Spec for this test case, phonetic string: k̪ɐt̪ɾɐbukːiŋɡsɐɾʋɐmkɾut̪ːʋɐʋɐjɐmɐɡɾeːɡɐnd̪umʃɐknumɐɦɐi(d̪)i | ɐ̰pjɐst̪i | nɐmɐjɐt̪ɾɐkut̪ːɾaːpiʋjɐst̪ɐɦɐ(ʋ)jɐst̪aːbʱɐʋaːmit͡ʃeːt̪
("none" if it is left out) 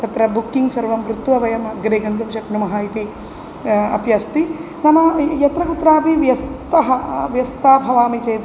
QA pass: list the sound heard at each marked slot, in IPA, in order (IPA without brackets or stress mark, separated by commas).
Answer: t̪, ʋ